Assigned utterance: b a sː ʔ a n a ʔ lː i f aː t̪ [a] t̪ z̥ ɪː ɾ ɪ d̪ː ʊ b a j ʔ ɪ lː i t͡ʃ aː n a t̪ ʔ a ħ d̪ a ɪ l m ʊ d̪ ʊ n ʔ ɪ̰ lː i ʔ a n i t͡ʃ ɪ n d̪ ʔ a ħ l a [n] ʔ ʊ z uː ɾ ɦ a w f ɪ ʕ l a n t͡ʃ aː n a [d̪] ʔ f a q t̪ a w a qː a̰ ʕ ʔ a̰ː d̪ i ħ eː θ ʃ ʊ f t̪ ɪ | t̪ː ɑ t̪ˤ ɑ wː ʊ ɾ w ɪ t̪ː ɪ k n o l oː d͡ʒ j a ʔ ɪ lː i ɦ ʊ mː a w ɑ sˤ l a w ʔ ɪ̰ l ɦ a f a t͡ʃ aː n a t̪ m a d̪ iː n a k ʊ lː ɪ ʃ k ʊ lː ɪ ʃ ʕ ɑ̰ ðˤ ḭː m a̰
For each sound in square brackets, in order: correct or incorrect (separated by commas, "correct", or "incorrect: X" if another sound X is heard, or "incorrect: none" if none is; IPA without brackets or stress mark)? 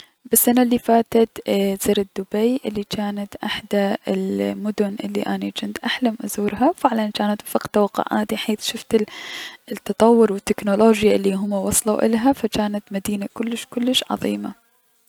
correct, incorrect: m, incorrect: t̪